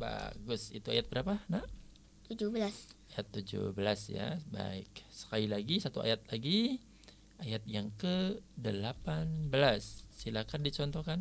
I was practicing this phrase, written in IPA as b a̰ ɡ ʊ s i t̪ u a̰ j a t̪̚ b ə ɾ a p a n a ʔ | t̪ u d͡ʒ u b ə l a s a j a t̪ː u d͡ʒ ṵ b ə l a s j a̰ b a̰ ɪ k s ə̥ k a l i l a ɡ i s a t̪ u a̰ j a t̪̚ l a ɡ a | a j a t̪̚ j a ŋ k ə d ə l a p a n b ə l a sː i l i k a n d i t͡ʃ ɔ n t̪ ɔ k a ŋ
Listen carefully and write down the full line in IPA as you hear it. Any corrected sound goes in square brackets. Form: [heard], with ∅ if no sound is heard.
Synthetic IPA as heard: b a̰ ɡ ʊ s i t̪ u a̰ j a t̪̚ b ə ɾ a p a n a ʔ | t̪ u d͡ʒ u b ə l a s a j a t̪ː u d͡ʒ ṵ b ə l a s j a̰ b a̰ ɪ k s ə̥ k a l i l a ɡ i s a t̪ u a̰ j a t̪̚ l a ɡ [i] | a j a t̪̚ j a ŋ k ə d ə l a p a n b ə l a sː i l [a] k a n d i t͡ʃ ɔ n t̪ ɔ k a [n]